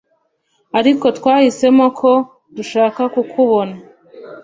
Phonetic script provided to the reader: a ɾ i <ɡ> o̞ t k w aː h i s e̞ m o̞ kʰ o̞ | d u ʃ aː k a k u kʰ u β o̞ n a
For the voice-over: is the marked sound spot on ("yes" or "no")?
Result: no